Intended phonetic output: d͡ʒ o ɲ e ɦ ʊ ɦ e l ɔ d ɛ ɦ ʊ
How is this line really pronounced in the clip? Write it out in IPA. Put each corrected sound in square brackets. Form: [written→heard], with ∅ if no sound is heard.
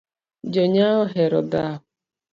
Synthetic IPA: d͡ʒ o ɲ [e→a] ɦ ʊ ɦ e [l→ɾ] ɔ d [ɛ→a] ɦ ʊ